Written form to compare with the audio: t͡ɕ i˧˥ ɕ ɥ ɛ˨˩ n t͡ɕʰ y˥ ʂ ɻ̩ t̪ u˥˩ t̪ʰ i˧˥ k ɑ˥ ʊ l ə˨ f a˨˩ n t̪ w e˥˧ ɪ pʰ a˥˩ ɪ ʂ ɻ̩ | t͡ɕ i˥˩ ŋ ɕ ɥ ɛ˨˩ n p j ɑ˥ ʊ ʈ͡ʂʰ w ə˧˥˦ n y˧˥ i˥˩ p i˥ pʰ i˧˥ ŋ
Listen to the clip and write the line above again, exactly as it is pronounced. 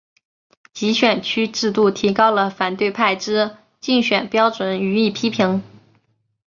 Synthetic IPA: t͡ɕ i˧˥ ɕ ɥ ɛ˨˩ n t͡ɕʰ y˥ ʈ͡ʂ ɻ̩ t̪ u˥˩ t̪ʰ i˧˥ k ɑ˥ ʊ l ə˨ f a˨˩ n t̪ w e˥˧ ɪ pʰ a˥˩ ɪ ʈ͡ʂ ɻ̩ | t͡ɕ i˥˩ ŋ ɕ ɥ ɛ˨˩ n p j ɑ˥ ʊ ʈ͡ʂ w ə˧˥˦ n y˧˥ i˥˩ pʰ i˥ pʰ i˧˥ ŋ